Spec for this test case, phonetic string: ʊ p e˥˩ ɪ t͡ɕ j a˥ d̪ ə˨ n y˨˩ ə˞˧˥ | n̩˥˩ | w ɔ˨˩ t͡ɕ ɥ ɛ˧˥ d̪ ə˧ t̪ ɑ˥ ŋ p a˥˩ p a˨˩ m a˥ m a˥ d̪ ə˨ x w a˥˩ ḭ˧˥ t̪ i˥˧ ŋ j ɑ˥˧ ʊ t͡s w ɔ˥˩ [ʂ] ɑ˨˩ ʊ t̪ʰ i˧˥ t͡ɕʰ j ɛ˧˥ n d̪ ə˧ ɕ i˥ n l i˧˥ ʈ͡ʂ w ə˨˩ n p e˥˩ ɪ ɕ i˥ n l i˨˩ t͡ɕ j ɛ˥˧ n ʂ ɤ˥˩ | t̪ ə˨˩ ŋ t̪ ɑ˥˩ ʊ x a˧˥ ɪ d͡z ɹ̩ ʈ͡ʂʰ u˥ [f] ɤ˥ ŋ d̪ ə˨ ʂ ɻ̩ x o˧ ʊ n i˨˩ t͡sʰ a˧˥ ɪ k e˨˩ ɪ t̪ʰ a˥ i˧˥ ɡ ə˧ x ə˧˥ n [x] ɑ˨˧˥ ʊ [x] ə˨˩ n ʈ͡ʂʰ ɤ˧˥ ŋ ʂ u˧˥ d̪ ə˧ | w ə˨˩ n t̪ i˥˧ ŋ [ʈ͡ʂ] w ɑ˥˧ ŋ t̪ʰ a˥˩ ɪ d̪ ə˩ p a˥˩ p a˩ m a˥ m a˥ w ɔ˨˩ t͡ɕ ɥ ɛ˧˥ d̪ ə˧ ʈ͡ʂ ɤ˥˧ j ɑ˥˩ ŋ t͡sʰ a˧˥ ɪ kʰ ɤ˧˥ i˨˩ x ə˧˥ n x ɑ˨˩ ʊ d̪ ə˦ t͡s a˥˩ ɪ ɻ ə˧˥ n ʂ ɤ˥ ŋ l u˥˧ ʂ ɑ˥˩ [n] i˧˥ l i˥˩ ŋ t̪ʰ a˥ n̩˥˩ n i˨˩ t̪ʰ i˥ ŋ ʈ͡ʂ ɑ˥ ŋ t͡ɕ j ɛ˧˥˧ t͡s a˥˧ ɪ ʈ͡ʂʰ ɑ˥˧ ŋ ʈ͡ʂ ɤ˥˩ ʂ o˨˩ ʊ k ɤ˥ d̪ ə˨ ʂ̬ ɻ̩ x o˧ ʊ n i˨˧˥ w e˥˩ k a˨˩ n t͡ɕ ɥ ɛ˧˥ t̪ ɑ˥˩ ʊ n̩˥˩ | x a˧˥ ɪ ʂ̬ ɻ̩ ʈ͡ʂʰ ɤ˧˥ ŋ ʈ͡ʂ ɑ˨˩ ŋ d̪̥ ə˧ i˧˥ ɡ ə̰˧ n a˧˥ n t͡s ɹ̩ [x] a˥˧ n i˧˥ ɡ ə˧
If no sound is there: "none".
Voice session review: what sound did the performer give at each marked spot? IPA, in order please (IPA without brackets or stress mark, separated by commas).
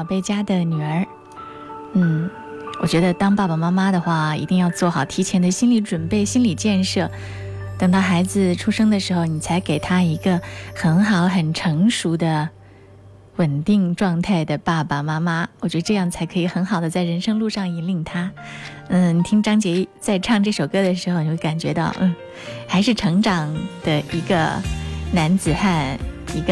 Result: x, ʂ, x, x, ʈ͡ʂ, ŋ, x